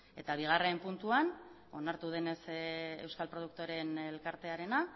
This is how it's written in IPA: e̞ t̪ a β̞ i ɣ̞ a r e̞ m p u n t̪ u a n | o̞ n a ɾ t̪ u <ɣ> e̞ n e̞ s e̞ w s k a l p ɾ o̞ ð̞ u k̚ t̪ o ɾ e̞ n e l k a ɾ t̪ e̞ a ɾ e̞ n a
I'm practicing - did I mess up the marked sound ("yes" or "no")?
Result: yes